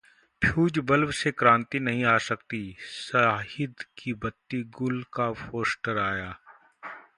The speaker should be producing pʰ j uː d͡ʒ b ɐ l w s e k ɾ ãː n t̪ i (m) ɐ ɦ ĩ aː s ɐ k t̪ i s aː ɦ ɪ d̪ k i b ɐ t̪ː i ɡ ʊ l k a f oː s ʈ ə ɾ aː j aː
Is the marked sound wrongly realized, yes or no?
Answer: yes